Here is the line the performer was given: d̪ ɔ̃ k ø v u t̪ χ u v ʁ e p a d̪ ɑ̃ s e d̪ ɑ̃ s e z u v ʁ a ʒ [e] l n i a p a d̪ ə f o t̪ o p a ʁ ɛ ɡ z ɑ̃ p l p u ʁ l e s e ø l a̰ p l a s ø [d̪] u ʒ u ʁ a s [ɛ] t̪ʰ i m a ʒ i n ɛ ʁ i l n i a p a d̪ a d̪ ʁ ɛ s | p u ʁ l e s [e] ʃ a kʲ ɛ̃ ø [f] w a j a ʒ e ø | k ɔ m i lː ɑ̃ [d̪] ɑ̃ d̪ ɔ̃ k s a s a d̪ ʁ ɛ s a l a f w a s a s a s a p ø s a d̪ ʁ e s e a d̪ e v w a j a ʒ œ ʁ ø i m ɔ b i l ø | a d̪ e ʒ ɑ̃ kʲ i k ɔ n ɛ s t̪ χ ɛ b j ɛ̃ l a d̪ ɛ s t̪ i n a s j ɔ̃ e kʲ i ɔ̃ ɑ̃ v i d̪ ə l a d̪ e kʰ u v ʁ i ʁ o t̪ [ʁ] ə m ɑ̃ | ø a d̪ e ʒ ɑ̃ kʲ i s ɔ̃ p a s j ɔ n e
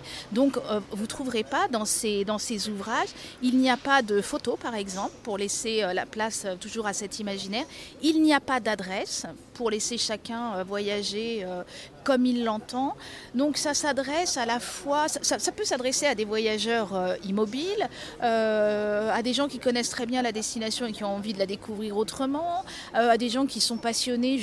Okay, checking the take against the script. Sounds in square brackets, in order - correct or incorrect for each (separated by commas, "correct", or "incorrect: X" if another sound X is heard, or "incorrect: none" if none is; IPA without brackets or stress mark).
incorrect: i, incorrect: t̪, correct, correct, incorrect: v, incorrect: t̪, incorrect: χ